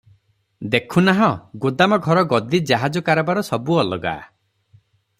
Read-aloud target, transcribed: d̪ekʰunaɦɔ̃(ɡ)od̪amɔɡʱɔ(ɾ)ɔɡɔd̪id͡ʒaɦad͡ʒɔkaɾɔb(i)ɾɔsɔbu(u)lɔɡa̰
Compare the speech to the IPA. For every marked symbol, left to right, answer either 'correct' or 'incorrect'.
correct, correct, incorrect: a, incorrect: ɔ

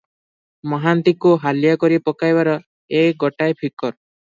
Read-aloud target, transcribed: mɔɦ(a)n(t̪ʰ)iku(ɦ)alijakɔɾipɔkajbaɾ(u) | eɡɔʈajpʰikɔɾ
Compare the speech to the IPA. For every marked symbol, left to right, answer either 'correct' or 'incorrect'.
correct, incorrect: t̪, correct, incorrect: ɔ

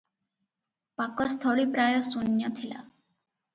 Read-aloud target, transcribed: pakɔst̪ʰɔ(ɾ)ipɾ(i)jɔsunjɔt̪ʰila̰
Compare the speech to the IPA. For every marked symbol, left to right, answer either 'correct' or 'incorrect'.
incorrect: ɭ, incorrect: a

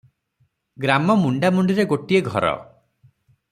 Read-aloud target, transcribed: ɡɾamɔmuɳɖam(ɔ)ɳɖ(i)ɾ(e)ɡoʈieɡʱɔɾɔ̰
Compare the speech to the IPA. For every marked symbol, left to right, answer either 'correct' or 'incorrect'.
incorrect: u, correct, correct

